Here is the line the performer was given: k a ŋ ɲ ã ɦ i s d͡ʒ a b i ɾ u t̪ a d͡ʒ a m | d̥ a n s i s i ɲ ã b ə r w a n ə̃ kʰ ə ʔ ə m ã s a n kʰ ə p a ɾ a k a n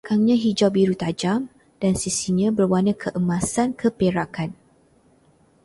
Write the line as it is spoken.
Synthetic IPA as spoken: k a ŋ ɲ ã ɦ i d͡ʒ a b i ɾ u t̪ a d͡ʒ a m | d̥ a n s i s i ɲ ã b ə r w a n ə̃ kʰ ə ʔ ə m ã s a n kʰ ə p e ɾ a k a n